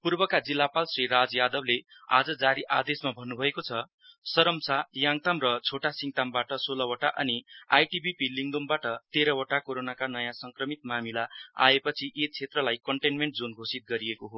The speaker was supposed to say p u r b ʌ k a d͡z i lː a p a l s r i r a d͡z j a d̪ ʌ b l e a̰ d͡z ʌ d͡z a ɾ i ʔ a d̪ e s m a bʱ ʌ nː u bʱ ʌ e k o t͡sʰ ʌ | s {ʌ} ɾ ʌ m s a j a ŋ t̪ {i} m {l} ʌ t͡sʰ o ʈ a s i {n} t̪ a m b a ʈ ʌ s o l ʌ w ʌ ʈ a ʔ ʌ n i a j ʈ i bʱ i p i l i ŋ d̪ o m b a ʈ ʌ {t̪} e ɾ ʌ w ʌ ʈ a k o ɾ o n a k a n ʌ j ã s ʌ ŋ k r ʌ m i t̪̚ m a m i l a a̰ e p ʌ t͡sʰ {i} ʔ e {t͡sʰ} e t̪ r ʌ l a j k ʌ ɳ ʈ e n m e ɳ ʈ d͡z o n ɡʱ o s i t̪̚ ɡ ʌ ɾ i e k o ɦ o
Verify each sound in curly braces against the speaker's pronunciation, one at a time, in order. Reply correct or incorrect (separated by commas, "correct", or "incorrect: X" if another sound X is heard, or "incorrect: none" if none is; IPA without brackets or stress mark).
correct, incorrect: a, incorrect: r, incorrect: ŋ, correct, correct, correct